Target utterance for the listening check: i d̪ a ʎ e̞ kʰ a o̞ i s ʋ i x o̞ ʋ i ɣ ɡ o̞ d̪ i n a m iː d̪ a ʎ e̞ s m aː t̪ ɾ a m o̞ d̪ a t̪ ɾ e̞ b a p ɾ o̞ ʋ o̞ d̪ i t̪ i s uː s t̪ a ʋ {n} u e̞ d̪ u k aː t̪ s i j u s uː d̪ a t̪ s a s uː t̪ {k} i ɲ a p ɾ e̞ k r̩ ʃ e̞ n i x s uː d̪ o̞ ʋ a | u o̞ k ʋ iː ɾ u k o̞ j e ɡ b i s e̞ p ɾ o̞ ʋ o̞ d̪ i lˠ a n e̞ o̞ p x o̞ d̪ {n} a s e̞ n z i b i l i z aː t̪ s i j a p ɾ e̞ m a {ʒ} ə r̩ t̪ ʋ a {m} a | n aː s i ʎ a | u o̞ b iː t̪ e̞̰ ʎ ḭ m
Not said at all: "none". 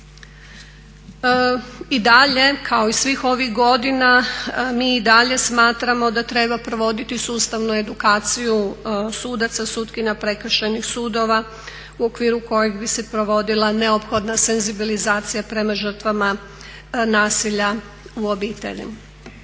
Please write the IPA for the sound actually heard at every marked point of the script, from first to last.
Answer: n, k, n, ʒ, m

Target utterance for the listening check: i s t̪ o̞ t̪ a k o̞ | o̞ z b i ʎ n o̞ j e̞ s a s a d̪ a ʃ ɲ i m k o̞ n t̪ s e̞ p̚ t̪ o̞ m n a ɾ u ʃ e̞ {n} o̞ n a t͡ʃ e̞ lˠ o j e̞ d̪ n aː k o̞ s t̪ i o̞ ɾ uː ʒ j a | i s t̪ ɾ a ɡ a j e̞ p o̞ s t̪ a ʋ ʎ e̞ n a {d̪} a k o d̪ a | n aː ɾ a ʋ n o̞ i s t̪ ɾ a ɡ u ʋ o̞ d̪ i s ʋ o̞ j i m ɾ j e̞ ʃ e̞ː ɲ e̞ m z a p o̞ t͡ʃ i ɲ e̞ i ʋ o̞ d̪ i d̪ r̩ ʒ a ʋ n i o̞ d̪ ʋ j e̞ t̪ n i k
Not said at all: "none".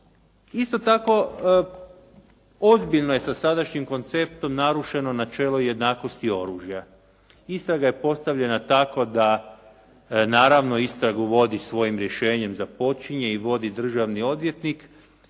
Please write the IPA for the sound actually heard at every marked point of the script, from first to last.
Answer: n, t̪

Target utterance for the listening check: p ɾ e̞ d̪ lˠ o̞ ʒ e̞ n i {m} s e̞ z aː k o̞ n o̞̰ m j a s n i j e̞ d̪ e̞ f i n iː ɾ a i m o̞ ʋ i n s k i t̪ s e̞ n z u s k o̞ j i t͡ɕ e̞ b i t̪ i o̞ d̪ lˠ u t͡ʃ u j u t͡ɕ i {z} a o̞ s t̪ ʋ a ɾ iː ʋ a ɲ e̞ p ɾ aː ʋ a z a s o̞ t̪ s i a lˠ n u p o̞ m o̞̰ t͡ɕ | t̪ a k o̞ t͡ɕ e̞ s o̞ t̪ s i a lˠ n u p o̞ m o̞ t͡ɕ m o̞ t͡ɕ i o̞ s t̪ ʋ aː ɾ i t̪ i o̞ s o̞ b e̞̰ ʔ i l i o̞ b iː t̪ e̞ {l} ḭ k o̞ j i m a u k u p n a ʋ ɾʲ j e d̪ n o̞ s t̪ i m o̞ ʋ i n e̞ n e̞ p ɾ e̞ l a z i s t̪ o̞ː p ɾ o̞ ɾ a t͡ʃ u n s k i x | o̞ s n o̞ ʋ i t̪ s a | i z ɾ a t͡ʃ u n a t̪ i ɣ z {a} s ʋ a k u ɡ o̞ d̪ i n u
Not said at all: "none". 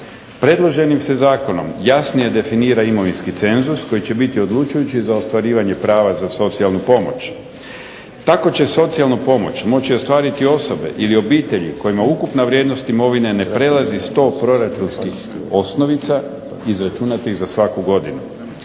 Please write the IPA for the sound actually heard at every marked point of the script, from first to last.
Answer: m, z, ʎ, a

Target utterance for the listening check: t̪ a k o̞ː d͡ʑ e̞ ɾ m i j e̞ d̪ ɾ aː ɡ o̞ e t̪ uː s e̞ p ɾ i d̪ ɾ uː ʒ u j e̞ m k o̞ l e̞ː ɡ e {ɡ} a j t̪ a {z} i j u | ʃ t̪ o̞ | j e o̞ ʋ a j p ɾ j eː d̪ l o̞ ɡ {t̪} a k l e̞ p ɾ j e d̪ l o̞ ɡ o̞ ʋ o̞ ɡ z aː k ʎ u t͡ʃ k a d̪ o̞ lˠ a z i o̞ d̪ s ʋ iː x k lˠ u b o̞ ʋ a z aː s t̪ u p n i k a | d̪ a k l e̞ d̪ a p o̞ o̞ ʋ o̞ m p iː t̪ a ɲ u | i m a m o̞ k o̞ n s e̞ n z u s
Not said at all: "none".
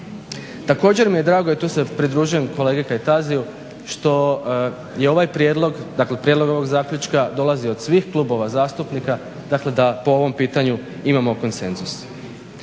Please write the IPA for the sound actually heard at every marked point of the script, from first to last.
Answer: k, z, d̪

